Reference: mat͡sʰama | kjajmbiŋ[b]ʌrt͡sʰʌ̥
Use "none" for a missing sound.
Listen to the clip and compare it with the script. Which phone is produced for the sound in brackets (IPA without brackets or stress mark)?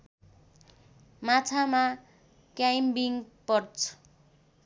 p